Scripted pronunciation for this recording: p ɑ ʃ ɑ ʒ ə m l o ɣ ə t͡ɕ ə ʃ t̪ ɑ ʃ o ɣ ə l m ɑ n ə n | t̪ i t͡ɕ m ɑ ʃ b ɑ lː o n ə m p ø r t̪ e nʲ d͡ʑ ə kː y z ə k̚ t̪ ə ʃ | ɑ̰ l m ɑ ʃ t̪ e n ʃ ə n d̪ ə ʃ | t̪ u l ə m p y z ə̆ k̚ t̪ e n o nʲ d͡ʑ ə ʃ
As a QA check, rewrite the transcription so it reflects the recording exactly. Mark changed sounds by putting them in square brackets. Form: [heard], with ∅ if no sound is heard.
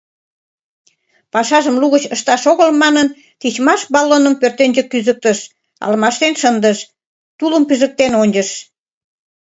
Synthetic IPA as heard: p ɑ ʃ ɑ ʒ ə m l [u] ɣ ə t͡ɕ ə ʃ t̪ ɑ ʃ o ɣ ə l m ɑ n ə n | t̪ i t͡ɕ m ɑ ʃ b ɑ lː o n ə m p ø r t̪ e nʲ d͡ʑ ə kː y z ə k̚ t̪ ə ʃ | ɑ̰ l m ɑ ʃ t̪ e n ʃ ə n d̪ ə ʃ | t̪ u l ə m p y z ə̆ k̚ t̪ e n o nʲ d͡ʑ ə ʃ